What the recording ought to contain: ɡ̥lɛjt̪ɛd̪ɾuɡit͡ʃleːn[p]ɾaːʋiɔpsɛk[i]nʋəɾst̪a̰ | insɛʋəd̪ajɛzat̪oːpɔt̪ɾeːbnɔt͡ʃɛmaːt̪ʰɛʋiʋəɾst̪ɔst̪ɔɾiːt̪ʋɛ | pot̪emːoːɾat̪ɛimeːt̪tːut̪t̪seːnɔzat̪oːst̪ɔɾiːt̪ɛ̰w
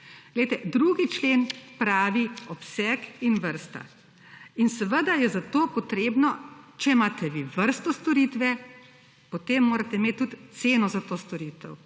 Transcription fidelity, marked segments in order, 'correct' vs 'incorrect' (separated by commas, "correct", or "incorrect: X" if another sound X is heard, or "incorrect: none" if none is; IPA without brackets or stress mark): correct, correct